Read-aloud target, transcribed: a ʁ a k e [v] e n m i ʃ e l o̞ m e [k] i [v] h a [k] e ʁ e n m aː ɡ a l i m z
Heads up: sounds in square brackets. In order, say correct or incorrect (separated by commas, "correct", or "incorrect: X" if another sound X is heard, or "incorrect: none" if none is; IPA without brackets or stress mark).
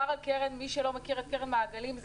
incorrect: ʁ, correct, incorrect: ʁ, correct